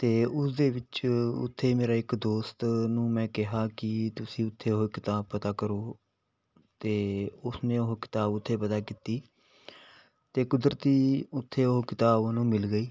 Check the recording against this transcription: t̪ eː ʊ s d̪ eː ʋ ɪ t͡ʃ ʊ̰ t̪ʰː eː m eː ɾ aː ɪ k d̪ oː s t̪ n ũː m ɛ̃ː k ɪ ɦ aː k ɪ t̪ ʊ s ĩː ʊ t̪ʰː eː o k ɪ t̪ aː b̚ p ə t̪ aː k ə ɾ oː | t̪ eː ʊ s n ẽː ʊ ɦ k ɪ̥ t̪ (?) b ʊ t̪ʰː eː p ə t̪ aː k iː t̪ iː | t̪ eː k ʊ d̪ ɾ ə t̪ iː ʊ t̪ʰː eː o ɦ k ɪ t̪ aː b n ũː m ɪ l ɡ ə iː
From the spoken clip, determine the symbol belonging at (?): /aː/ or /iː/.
aː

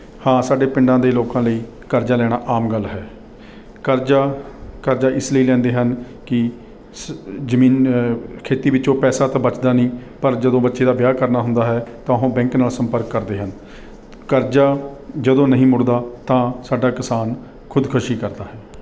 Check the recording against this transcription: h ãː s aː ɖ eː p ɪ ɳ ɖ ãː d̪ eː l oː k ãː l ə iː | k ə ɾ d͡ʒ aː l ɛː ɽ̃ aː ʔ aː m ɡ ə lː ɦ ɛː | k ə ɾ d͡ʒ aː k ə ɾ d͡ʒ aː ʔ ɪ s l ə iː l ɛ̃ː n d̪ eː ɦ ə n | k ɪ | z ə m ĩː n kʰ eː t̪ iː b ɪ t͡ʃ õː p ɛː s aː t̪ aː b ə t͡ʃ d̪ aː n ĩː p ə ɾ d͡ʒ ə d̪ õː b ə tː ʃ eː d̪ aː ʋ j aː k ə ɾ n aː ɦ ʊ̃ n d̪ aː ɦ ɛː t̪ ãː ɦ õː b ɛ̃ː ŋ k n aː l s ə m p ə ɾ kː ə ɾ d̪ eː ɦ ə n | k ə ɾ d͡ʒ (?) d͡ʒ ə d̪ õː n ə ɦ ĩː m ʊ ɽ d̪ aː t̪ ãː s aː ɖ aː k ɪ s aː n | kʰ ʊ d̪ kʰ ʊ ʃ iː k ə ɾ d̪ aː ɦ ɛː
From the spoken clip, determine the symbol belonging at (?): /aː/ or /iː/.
aː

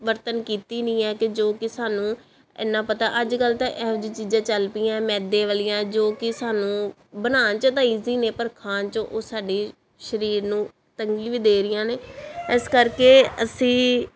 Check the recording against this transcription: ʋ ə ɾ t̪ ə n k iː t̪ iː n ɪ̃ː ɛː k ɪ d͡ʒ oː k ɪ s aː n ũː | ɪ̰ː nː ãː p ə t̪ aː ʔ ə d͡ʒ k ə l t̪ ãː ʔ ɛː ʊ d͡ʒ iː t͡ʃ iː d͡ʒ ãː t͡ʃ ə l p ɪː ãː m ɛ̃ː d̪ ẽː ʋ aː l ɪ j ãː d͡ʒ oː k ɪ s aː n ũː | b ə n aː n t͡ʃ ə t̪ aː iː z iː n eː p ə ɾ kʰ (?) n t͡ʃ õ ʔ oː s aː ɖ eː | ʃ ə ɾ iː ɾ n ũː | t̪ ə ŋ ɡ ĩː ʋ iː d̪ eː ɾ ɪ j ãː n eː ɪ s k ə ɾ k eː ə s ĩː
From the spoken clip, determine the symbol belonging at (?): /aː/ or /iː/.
aː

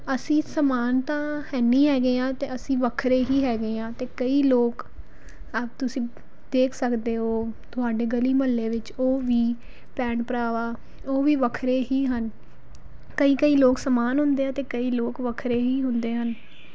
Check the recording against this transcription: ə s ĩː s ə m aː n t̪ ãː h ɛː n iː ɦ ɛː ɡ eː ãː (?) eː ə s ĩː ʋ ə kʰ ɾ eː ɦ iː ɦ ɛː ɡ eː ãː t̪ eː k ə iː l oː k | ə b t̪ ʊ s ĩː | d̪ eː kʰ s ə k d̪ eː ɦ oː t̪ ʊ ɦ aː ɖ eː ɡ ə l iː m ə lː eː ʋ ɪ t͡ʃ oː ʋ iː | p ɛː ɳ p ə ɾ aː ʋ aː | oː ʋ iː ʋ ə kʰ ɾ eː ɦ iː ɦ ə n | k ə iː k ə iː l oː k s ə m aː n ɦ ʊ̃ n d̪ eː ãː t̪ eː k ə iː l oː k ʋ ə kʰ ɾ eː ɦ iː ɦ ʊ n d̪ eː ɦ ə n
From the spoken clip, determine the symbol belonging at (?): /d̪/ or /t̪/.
t̪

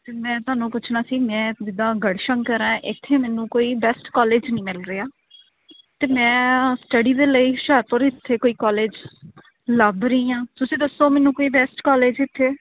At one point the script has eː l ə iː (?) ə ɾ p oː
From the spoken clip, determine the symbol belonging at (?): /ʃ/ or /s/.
ʃ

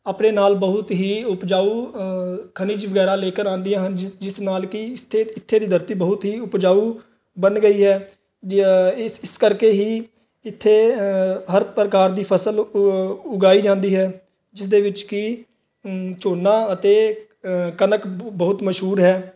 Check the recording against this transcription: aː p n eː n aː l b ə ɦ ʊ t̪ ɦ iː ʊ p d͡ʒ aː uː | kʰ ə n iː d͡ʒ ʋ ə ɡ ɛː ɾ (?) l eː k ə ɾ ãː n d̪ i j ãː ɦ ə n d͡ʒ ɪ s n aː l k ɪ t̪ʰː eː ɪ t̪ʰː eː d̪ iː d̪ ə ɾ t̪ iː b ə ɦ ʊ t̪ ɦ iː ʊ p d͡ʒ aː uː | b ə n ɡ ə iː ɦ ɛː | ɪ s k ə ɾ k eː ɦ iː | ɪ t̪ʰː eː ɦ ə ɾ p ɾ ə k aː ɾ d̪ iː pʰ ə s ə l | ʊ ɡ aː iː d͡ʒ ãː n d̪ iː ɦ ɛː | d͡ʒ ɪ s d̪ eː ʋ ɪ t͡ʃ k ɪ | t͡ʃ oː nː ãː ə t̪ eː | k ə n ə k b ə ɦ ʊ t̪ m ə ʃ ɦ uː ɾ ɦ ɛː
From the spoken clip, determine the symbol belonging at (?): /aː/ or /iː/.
aː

